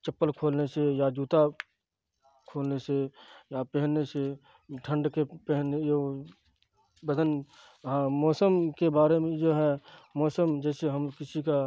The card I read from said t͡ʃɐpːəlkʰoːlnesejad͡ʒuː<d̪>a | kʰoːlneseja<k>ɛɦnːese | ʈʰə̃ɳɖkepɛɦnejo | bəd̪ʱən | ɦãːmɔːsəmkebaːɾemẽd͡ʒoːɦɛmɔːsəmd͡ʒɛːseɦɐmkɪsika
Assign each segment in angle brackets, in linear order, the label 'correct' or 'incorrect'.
incorrect, incorrect

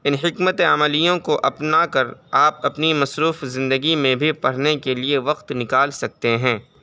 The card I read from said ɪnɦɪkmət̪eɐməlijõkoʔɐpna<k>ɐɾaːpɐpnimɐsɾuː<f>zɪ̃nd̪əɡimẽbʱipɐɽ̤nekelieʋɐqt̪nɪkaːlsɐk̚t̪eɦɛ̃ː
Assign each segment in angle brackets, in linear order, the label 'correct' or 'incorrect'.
correct, correct

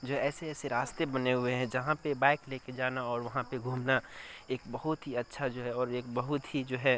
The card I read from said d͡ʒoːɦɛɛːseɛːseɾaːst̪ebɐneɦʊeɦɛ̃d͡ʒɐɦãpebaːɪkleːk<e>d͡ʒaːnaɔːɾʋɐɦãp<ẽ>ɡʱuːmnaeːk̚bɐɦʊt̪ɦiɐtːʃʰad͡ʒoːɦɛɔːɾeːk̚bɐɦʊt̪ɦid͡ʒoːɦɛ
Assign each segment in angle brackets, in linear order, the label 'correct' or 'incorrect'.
correct, incorrect

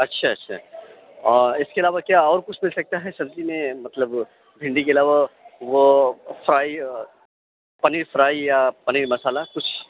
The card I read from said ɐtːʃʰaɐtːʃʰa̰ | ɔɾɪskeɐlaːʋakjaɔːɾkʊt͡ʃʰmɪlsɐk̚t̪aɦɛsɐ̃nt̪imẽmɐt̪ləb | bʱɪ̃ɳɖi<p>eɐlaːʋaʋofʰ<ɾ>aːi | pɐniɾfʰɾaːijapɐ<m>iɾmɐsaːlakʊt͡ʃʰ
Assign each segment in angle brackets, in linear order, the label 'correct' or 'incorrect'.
incorrect, correct, incorrect

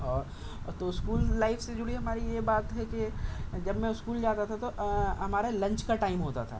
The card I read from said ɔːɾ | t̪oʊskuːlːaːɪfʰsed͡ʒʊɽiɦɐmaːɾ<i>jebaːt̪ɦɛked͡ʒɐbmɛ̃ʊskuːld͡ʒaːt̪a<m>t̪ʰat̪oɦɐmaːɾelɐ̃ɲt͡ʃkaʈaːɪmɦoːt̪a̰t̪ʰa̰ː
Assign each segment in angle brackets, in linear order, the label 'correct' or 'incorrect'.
correct, incorrect

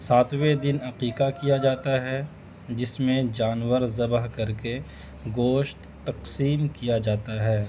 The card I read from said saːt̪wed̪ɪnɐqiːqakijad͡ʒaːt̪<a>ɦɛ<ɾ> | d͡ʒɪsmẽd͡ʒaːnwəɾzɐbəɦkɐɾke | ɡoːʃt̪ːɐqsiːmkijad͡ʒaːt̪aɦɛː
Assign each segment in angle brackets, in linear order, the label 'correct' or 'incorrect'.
correct, incorrect

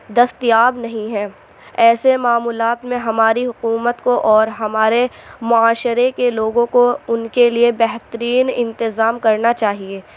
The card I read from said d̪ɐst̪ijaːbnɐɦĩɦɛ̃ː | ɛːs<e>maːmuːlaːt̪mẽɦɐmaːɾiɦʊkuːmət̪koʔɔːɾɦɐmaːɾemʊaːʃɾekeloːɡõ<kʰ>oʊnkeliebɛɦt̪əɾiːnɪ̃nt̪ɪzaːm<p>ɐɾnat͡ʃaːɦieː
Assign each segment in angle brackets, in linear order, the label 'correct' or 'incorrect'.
correct, incorrect, incorrect

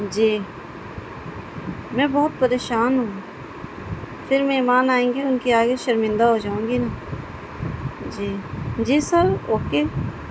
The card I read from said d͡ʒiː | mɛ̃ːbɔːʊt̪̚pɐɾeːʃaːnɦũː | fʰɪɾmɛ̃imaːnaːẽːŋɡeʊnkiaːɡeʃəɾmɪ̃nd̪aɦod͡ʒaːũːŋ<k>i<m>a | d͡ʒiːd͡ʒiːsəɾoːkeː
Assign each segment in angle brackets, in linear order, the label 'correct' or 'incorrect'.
incorrect, incorrect

